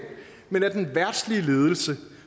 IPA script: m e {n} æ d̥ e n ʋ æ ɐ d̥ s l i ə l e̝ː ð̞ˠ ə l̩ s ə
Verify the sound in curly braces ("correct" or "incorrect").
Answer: correct